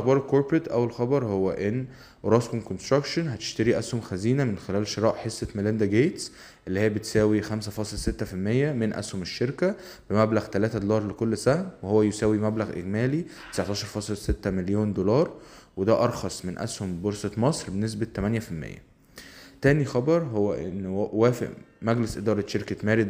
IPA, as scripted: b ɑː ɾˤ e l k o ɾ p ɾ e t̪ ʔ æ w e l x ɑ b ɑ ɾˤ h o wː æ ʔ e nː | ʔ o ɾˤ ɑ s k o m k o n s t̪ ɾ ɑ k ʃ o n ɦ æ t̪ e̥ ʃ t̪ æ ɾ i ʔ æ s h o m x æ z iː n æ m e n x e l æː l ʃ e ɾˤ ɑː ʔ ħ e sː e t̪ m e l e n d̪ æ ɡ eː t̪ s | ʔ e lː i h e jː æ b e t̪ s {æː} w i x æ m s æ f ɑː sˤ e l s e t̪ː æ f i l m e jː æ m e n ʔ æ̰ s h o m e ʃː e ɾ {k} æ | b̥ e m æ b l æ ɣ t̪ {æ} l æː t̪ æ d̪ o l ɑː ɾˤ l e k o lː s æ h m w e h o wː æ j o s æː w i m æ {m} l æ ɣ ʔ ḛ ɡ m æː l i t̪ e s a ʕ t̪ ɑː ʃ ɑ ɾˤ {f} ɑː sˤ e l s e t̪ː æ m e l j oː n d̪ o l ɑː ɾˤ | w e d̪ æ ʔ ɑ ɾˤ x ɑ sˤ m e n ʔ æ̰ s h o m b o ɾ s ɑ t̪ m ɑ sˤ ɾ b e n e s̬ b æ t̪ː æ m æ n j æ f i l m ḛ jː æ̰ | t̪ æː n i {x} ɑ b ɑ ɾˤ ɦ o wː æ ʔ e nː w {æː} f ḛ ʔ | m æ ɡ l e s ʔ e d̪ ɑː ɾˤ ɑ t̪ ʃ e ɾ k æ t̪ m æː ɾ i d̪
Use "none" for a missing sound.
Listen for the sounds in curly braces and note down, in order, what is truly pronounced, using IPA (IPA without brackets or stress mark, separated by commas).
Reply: æː, k, æ, b, f, x, æː